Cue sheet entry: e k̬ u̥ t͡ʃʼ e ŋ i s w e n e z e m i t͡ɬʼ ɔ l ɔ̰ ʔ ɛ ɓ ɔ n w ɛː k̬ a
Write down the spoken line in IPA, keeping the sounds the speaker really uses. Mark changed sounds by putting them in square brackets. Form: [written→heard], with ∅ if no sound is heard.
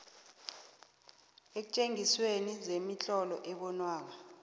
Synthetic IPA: e k̬ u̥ t͡ʃʼ e ŋ i s w e n [e→i] z e m i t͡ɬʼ ɔ l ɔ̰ ʔ ɛ ɓ ɔ n w [ɛː→aː] k̬ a